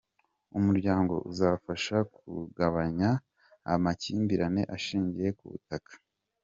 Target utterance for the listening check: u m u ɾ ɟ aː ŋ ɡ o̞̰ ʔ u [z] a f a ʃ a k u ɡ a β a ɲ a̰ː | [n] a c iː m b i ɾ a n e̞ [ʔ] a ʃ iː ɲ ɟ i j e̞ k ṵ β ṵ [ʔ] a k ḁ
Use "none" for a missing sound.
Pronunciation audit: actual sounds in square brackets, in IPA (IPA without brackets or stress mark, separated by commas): z, m, ʔ, t